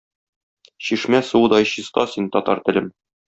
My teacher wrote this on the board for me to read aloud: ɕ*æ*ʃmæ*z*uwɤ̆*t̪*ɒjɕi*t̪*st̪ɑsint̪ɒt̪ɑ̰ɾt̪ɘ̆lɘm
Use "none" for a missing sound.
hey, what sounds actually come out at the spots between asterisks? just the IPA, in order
i, s, d̪, none

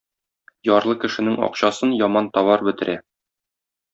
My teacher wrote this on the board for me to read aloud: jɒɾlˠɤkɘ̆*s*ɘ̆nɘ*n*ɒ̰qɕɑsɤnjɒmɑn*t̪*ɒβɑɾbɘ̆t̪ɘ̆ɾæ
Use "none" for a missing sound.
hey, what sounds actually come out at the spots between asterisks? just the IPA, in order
ʃ, ŋ, t̪

